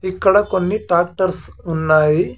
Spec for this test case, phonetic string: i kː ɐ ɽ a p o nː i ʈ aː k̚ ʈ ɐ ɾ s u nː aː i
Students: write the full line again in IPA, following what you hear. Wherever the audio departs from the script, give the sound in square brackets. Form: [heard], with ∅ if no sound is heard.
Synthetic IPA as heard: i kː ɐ ɽ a [k] o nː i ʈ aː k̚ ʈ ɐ ɾ s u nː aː i